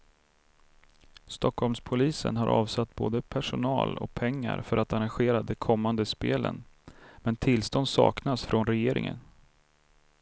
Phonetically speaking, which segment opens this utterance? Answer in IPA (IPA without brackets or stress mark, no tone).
s